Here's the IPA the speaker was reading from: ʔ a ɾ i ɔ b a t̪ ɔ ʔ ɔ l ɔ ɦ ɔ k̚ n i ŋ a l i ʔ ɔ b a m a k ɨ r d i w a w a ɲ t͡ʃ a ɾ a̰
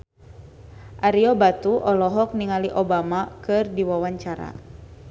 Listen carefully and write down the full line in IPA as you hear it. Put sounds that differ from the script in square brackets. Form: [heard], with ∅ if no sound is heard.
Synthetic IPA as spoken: ʔ a ɾ i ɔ b a t̪ [u] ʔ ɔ l ɔ ɦ ɔ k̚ n i ŋ a l i ʔ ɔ b a m a k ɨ r d i w a w a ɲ t͡ʃ a ɾ a̰